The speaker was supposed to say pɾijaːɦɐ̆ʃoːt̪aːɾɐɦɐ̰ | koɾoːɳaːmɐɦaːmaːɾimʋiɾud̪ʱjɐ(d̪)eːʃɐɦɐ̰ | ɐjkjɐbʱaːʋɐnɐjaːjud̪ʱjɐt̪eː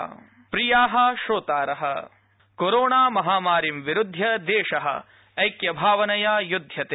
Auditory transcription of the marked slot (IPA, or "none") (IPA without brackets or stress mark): d̪